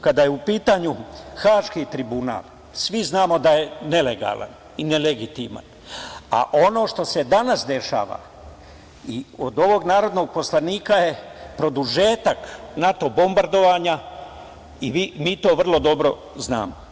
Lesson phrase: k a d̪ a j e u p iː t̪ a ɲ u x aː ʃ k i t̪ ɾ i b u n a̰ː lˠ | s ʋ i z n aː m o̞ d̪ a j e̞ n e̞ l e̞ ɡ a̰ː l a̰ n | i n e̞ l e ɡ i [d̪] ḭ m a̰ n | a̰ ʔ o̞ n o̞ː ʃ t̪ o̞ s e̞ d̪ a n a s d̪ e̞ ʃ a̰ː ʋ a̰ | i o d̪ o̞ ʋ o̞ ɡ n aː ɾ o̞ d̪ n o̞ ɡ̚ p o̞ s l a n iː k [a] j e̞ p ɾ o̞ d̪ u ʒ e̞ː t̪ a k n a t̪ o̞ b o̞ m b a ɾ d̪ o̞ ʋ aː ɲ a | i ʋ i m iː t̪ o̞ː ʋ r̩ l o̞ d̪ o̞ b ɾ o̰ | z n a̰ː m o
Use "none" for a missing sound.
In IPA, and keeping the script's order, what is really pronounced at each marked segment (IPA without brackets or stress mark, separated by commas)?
t̪, a